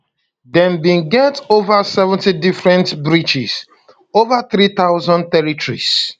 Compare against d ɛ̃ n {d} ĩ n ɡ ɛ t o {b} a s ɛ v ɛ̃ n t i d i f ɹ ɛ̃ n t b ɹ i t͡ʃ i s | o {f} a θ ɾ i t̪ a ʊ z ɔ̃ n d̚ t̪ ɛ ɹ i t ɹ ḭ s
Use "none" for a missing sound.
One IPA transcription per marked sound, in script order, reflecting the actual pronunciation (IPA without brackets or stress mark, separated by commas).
b, v, v